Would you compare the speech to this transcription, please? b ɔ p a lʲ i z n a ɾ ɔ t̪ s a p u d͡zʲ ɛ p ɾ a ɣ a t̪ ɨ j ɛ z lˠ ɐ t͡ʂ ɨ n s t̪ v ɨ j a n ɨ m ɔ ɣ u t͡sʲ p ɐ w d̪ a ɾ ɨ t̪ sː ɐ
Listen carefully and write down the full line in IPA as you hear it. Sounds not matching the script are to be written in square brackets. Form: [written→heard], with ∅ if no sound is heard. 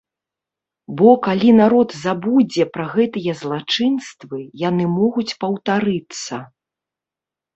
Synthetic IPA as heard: b ɔ [p→k] a lʲ i [z→∅] n a ɾ ɔ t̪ [s→z] a [p→b] u d͡zʲ ɛ p ɾ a ɣ [a→ɛ] t̪ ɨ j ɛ z lˠ [ɐ→a] t͡ʂ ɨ n s t̪ v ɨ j a n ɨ m ɔ ɣ u t͡sʲ p ɐ w [d̪→t̪] a ɾ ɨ t̪ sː ɐ